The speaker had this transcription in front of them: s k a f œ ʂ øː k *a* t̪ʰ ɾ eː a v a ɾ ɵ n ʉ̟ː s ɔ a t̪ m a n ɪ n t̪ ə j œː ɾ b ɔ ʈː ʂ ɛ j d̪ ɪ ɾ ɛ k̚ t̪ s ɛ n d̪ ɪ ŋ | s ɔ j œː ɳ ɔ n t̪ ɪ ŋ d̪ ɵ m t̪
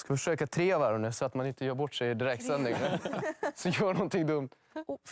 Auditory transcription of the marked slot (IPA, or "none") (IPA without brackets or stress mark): a